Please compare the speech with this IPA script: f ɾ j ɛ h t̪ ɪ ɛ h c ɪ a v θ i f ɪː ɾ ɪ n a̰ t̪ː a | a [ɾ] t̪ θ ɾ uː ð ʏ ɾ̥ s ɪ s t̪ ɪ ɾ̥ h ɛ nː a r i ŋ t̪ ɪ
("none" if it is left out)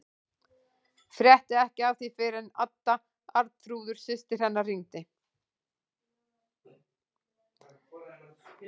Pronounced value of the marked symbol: ɾ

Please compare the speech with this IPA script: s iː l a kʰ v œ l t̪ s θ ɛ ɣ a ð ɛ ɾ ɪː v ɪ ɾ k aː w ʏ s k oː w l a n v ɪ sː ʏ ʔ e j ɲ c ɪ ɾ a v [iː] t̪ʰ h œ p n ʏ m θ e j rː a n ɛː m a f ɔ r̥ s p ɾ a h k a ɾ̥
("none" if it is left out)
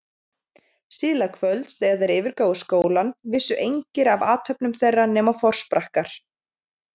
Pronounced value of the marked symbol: aː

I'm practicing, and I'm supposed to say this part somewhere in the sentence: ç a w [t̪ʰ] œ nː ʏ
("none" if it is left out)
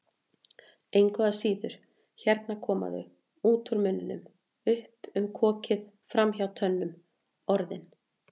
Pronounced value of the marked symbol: t̪ʰ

